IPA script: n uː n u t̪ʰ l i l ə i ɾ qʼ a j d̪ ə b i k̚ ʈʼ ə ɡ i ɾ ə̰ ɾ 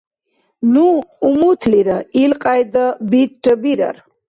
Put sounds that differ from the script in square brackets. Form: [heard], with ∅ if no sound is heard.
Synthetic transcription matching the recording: n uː [m] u t̪ʰ l i [ɾ] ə i [l] qʼ a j d̪ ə b i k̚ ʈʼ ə [b] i ɾ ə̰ ɾ